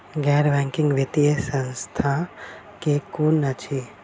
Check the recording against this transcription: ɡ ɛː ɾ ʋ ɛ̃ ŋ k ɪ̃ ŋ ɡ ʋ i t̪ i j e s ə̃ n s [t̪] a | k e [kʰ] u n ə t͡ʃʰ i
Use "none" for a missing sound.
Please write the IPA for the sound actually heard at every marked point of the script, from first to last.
t̪ʰ, k

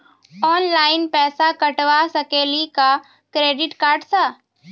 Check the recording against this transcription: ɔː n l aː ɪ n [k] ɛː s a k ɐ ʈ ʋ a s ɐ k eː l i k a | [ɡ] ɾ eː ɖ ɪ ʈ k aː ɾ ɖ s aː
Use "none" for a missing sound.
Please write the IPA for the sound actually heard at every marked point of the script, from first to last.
p, k

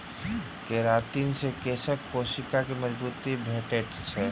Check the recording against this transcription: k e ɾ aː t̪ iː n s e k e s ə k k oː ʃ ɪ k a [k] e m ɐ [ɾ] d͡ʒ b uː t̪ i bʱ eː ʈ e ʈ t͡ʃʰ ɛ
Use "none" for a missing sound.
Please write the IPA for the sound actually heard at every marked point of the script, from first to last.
k, none

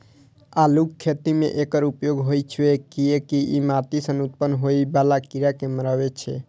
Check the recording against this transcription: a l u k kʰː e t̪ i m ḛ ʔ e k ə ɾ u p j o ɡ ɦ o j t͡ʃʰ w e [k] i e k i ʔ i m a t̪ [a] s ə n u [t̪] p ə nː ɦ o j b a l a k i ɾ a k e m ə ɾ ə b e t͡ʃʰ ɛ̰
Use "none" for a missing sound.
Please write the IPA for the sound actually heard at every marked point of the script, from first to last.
k, i, t̪

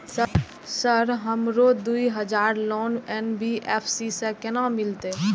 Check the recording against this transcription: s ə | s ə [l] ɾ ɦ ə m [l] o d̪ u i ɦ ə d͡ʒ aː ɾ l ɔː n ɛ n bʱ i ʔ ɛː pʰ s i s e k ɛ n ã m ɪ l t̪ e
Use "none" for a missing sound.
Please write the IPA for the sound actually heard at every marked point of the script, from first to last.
none, ɾ

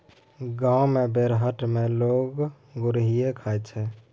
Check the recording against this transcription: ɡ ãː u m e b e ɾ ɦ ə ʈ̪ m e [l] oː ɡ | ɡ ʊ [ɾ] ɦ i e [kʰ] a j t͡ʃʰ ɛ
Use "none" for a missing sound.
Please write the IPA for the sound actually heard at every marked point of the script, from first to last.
l, ɾ, kʰ

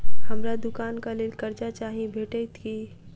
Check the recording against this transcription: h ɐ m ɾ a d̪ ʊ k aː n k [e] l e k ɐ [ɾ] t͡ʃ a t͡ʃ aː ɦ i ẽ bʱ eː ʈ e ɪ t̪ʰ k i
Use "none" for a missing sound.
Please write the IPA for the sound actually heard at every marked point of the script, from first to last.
a, ɾ

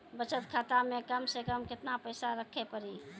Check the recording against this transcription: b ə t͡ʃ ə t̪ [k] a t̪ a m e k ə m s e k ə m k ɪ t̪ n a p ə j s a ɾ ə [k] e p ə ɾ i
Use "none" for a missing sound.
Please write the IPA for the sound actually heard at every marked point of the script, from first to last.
kʰ, kʰ

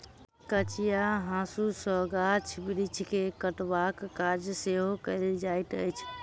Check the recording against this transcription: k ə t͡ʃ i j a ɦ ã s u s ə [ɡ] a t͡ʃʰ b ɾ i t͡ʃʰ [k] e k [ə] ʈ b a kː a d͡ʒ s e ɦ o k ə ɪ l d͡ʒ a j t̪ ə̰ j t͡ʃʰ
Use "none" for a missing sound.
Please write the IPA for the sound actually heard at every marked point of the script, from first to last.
ɡ, k, ə

